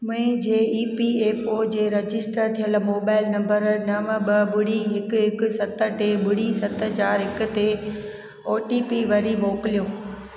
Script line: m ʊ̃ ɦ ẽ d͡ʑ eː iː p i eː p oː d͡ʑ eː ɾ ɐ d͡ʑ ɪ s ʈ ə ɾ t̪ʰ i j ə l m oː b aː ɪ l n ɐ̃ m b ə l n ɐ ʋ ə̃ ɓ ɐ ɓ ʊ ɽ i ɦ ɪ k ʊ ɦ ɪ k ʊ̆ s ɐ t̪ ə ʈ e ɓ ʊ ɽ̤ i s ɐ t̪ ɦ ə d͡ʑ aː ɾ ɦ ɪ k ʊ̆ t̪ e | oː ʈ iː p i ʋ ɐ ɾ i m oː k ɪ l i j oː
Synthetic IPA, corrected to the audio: m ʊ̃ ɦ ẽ d͡ʑ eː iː p i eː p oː d͡ʑ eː ɾ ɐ d͡ʑ ɪ s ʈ ə ɾ t̪ʰ i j ə l m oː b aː ɪ l n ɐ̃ m b ə ɾ n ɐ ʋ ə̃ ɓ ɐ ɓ ʊ ɽ i ɦ ɪ k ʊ ɦ ɪ k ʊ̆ s ɐ t̪ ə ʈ e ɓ ʊ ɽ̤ i s ɐ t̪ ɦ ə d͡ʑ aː ɾ ɦ ɪ k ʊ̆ t̪ e | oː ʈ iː p i ʋ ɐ ɾ i m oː k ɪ l i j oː